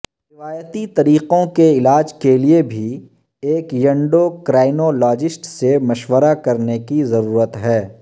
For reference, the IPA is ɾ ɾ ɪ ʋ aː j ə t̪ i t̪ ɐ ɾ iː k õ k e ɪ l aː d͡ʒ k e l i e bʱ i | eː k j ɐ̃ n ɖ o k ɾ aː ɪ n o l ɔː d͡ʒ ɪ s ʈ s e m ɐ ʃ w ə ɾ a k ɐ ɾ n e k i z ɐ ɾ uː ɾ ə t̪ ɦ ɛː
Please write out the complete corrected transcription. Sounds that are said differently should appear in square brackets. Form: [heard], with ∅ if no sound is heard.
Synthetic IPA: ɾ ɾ ɪ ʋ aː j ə t̪ i t̪ ɐ ɾ iː [q] õ k e ɪ l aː d͡ʒ k e l i e bʱ i | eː k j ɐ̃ [ɳ] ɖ o k ɾ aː ɪ n o l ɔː d͡ʒ ɪ s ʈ s e m ɐ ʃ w ə ɾ a k ɐ ɾ n e k i z ɐ ɾ uː ɾ ə t̪ ɦ ɛː